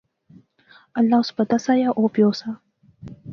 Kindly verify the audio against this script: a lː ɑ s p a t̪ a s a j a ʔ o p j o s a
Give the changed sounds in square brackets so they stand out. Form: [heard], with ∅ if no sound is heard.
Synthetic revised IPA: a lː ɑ s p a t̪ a s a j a ʔ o p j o s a